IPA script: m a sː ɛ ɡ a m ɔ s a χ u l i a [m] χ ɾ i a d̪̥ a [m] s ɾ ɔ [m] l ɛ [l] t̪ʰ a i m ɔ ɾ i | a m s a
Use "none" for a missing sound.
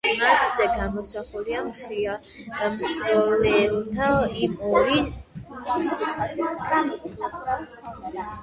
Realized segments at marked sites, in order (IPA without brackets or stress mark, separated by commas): m, m, none, l